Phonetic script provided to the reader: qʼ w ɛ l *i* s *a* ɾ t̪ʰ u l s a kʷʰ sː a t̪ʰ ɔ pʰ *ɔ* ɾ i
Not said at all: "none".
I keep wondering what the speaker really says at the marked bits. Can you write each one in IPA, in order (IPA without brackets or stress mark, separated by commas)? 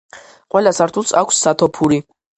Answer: a, a, u